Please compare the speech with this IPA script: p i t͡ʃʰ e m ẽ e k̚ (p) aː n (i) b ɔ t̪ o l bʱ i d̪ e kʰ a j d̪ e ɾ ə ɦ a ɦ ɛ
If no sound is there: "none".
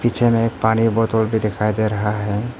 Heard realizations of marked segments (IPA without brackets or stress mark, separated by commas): p, i